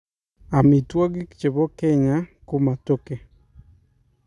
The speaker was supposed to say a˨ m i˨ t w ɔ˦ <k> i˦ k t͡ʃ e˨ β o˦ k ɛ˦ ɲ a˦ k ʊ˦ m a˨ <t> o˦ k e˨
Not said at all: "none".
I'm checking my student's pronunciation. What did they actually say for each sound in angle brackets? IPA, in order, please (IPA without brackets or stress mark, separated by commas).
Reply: ɡ, t